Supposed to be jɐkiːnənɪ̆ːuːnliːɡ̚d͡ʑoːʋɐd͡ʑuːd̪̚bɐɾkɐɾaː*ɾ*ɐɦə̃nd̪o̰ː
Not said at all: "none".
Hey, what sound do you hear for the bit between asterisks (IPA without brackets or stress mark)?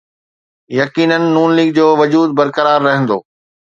ɾː